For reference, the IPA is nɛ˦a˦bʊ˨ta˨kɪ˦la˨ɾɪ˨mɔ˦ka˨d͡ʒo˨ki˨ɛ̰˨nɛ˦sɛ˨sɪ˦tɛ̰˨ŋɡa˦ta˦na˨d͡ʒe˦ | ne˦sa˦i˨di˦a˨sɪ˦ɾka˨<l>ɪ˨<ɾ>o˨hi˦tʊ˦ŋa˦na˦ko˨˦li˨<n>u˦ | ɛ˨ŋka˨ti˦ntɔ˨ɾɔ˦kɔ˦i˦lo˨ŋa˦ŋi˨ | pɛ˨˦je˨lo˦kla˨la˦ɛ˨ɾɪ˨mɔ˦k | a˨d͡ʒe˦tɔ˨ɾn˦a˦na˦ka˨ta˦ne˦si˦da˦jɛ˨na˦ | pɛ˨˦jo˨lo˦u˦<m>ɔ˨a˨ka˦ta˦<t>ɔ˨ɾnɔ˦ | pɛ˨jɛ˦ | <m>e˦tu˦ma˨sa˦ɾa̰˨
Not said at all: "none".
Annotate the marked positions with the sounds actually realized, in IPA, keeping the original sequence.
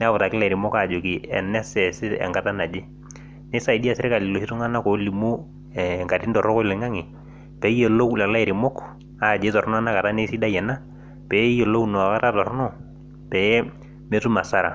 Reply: l, l, m, n, t, m

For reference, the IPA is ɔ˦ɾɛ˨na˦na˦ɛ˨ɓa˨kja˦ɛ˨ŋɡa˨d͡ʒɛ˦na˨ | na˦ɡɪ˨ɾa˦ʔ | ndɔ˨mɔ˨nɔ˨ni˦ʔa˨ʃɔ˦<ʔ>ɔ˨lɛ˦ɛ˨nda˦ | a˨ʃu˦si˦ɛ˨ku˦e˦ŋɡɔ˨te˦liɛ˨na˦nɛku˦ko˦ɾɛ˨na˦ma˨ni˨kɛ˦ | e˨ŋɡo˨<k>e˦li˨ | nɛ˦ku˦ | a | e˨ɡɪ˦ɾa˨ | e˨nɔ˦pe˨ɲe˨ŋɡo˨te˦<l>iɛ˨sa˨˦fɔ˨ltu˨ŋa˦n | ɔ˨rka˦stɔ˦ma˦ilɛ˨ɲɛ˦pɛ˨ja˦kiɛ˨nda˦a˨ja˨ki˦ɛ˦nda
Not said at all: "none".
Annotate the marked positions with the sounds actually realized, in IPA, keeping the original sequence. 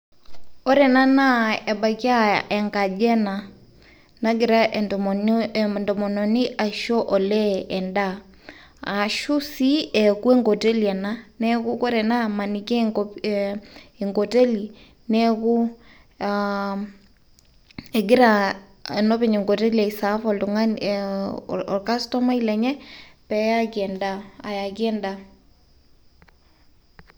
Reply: ʔ, t, l

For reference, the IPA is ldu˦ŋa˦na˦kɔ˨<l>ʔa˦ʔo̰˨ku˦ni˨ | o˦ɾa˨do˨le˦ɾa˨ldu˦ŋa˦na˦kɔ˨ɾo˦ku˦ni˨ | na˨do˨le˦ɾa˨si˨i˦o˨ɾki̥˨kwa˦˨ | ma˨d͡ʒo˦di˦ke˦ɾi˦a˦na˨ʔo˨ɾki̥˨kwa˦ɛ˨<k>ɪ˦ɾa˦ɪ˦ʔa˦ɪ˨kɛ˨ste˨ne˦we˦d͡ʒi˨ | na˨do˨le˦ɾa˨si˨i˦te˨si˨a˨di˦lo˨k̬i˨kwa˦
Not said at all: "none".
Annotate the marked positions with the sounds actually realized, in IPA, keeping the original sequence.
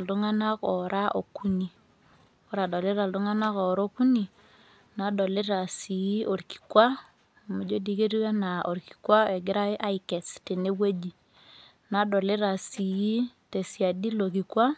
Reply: ɾ, ɡ

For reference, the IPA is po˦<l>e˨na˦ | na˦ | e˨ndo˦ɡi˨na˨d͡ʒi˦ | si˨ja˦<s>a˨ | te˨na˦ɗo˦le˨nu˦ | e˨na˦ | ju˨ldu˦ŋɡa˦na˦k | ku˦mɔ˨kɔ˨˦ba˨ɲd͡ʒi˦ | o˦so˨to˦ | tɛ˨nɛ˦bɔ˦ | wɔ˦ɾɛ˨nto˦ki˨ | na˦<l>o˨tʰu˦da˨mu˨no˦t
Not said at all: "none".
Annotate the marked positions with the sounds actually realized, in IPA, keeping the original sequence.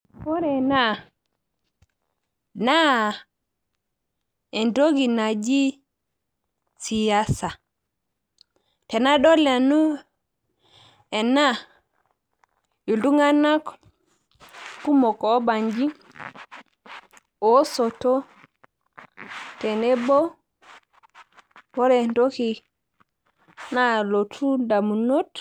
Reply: ɾ, s, l

